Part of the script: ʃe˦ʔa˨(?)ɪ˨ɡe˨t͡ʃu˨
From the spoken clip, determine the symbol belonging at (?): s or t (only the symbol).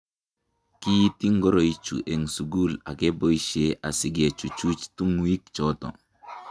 s